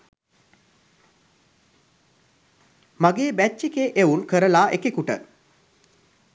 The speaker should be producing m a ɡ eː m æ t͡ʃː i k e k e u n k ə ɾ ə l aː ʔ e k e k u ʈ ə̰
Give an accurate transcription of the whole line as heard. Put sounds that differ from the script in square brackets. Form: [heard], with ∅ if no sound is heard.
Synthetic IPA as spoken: m a ɡ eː [b] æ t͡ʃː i k e [ʔ] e u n k ə ɾ ə l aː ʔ e k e k u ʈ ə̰